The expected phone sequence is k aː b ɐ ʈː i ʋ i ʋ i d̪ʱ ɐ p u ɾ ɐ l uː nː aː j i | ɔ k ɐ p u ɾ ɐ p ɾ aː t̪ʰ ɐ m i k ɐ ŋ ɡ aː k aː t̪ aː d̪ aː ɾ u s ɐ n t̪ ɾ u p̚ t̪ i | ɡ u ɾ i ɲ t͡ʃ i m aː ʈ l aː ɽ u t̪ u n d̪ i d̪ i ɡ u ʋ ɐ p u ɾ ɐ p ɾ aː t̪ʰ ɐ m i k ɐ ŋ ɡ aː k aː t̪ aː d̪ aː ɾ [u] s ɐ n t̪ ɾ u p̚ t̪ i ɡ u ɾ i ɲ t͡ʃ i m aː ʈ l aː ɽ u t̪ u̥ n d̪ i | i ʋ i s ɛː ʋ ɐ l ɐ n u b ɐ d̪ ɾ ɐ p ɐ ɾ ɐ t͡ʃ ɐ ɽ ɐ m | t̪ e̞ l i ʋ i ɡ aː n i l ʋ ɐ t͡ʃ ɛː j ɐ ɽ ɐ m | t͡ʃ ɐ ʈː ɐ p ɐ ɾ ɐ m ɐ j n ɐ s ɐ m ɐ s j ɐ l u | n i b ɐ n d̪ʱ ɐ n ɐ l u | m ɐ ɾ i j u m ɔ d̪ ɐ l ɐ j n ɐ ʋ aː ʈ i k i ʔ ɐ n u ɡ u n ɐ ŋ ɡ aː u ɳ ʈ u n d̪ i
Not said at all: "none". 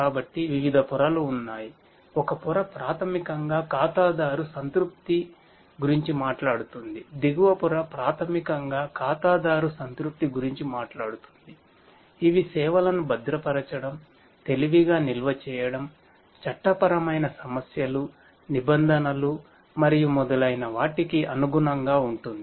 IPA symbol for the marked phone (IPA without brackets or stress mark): u